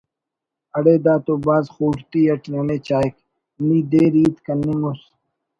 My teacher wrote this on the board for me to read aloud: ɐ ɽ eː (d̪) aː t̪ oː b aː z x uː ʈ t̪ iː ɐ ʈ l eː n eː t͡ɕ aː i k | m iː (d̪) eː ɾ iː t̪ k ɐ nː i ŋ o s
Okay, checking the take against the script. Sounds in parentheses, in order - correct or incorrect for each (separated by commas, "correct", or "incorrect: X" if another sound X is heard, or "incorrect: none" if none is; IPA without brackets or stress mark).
correct, correct